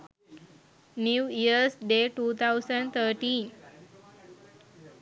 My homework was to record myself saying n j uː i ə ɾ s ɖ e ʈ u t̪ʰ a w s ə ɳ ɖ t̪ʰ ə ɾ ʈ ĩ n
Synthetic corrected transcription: n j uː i ə ɾ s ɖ e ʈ u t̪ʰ a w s ə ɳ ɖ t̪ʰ ə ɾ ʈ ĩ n